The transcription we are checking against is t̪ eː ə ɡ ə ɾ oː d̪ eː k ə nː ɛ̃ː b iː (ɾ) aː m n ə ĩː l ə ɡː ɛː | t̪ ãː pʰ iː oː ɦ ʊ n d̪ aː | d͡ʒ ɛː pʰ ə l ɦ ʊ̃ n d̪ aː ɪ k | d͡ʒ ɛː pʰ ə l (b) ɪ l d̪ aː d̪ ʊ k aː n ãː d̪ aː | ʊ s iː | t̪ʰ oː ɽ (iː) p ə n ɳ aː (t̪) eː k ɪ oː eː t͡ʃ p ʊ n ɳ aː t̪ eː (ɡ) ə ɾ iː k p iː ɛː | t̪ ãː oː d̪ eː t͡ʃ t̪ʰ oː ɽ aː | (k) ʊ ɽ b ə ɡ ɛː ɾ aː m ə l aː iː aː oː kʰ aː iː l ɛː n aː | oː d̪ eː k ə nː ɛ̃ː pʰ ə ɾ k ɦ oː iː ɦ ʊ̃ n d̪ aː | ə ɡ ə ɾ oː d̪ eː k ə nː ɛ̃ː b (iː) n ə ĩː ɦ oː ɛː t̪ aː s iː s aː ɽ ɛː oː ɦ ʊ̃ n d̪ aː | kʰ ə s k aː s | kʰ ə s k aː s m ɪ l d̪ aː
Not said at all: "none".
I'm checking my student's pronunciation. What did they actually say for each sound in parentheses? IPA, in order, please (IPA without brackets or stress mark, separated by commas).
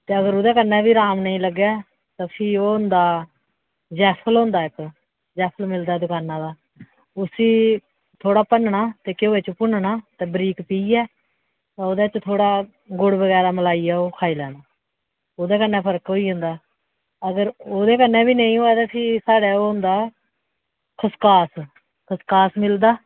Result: ɾ, m, aː, t̪, b, ɡ, iː